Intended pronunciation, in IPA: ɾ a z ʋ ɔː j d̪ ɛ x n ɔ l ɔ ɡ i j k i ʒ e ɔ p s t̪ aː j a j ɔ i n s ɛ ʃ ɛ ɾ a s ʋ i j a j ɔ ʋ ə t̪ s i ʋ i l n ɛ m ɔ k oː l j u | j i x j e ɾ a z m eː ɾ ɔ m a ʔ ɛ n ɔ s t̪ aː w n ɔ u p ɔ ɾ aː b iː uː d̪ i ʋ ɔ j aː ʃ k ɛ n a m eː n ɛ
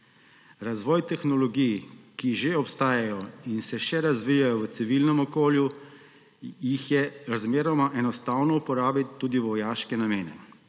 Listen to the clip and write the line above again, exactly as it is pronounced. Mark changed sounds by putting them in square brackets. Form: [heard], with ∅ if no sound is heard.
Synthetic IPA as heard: ɾ a z ʋ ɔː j [t̪] ɛ x n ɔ l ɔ ɡ i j k i ʒ e ɔ p s t̪ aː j a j ɔ i n s ɛ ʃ ɛ ɾ a [z] ʋ i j a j ɔ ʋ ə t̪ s i ʋ i l n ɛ m ɔ k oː l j u | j i x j [ɛ] ɾ a z m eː ɾ ɔ m a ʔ ɛ n ɔ s t̪ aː w n ɔ u p ɔ ɾ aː b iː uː d̪ i ʋ ɔ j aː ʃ k ɛ n a m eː n ɛ